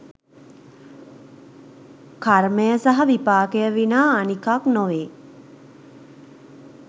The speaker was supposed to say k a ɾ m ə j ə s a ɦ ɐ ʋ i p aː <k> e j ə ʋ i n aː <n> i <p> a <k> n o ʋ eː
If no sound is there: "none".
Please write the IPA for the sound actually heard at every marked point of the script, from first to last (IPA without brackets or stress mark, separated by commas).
k, n, k, k